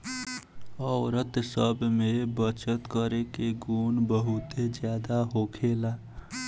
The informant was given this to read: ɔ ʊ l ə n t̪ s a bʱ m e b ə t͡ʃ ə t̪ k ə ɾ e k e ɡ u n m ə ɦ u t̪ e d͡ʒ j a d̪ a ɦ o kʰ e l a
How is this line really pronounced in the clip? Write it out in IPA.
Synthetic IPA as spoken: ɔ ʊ ɾ ə t̪ s ə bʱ m e b ə t͡ʃ ə t̪ k ə ɾ e k e ɡ u n b ə ɦ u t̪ e d͡ʒ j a d̪ a ɦ o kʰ e l a